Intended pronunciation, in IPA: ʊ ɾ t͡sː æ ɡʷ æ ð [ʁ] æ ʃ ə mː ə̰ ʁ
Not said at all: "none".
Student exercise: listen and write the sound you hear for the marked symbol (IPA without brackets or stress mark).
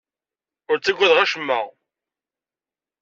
ʁ